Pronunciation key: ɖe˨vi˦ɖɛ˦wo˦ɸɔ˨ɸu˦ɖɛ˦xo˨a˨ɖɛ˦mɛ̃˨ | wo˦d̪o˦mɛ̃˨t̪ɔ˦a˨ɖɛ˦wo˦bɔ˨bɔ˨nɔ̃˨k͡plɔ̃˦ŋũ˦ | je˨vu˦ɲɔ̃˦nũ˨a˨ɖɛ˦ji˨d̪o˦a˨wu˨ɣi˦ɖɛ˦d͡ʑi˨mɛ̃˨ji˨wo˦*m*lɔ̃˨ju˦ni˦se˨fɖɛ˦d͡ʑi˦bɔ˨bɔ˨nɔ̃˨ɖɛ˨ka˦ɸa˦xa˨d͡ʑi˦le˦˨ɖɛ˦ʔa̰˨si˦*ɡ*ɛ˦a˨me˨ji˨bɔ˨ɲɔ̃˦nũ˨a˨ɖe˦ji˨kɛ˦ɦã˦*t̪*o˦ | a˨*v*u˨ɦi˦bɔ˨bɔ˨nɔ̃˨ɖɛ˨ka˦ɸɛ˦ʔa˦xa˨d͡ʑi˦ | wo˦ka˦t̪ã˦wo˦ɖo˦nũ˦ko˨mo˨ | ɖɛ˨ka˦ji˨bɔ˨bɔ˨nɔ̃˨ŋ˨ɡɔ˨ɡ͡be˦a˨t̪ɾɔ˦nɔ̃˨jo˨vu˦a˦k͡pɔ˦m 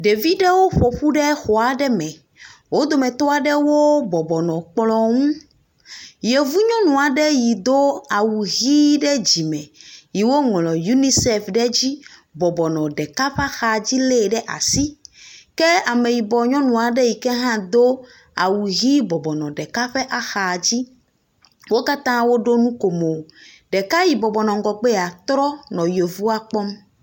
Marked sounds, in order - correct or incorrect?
incorrect, incorrect, incorrect, incorrect

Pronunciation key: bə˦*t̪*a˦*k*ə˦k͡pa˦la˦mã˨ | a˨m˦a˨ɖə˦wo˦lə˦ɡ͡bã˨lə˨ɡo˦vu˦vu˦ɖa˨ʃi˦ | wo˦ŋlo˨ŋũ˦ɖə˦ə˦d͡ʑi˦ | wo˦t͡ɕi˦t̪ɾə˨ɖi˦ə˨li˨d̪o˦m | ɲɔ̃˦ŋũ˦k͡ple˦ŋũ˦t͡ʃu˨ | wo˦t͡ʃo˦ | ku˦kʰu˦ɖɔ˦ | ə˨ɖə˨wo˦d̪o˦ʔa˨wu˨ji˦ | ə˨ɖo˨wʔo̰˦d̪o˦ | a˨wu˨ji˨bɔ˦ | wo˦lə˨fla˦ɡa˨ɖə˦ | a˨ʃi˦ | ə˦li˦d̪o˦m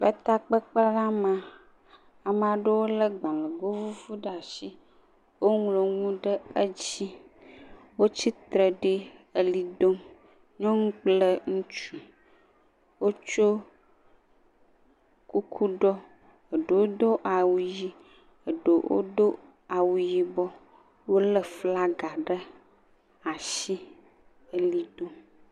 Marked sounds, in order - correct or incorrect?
correct, incorrect

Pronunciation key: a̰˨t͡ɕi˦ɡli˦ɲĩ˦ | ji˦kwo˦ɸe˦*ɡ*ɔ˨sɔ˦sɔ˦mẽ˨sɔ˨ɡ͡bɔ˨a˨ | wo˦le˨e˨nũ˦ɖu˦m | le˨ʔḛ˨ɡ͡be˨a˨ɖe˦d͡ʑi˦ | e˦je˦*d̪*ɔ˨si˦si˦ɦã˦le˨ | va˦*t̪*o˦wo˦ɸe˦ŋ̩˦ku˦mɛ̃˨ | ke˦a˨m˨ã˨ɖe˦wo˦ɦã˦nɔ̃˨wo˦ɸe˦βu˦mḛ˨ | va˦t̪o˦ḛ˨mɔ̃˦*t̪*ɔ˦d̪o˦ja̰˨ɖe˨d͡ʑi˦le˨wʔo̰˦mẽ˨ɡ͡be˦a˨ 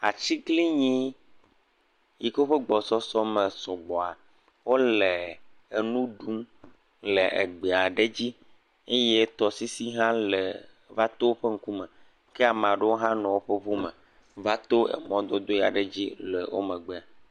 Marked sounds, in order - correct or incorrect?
incorrect, incorrect, correct, incorrect

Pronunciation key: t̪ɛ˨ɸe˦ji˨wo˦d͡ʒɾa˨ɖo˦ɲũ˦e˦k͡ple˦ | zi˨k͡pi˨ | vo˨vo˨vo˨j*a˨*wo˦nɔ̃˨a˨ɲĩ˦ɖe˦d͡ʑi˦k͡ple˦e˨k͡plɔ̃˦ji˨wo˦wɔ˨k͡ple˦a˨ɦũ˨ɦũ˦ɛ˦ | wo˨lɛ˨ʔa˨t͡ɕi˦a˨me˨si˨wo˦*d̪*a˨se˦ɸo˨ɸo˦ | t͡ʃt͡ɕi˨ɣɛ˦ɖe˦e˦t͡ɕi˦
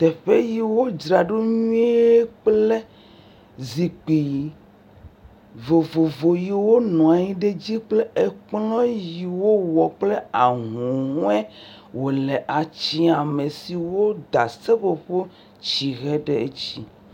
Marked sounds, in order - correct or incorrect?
incorrect, correct

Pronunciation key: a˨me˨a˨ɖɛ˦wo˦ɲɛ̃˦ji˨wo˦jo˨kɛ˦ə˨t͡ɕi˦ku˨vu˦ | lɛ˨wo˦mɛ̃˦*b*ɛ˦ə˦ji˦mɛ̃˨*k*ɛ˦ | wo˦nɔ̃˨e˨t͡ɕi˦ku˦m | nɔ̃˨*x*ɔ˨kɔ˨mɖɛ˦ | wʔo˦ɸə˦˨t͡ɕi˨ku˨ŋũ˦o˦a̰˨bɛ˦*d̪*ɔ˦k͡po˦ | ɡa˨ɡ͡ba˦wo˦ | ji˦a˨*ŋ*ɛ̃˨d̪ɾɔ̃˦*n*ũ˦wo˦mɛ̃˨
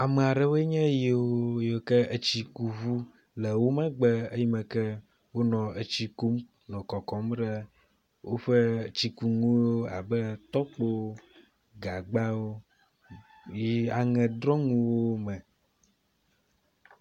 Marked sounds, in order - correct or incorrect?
incorrect, correct, incorrect, incorrect, correct, incorrect

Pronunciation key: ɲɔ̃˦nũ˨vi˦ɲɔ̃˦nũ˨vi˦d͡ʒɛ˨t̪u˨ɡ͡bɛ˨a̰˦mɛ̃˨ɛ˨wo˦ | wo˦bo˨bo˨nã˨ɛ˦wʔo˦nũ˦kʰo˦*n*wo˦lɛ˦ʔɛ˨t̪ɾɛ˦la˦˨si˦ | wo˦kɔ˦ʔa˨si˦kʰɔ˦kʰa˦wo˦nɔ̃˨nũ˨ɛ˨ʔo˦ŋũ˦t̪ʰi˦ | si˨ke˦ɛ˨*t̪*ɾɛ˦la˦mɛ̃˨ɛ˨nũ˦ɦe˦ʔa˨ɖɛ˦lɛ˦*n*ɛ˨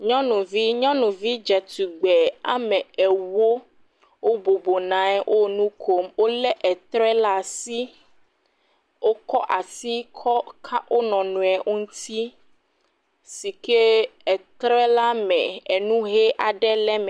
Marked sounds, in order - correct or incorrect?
incorrect, correct, incorrect

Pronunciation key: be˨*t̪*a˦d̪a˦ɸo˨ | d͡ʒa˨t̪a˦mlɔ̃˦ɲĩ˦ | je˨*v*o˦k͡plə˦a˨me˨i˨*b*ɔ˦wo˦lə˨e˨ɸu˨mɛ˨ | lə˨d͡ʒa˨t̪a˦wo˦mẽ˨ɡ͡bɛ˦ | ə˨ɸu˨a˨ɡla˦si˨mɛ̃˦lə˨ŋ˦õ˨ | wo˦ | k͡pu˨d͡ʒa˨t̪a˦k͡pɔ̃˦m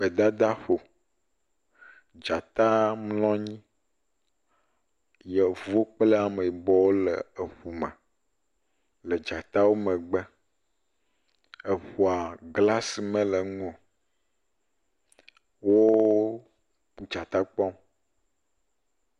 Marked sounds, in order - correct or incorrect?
incorrect, correct, correct

